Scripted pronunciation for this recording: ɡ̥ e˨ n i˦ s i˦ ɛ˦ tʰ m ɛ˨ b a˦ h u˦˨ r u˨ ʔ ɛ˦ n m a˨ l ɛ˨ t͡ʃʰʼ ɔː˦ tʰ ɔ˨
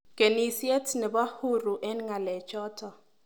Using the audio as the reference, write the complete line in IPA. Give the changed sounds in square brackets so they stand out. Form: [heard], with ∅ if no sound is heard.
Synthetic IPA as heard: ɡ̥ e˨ n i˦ s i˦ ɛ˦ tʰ [n] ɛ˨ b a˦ h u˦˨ r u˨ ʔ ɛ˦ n [ŋ] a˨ l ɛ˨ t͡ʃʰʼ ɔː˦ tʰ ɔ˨